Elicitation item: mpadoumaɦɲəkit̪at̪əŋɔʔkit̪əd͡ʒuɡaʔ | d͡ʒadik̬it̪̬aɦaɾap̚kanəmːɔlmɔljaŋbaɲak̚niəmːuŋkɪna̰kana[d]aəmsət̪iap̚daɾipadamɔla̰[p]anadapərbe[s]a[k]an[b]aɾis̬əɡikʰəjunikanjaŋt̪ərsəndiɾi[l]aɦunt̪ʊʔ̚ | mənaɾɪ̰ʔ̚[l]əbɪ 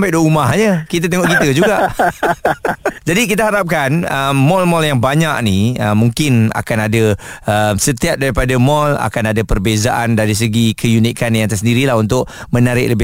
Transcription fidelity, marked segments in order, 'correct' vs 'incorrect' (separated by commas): correct, incorrect, incorrect, incorrect, incorrect, correct, correct